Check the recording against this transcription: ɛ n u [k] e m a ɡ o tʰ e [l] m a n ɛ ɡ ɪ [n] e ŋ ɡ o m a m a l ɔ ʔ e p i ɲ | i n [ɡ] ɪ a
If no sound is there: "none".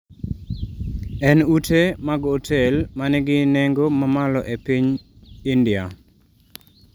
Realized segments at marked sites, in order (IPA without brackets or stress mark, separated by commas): t, l, n, d